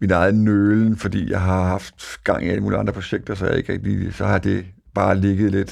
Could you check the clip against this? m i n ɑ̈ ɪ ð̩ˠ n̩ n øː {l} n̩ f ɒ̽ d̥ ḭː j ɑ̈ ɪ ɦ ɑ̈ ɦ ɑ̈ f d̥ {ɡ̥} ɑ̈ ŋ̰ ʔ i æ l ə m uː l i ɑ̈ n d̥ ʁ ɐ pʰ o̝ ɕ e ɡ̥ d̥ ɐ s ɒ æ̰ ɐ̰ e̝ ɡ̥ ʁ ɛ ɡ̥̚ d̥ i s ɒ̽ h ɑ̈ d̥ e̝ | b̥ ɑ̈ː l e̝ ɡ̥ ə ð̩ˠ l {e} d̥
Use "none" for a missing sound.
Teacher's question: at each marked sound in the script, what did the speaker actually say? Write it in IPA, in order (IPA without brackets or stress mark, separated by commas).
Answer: l, ɡ̥, e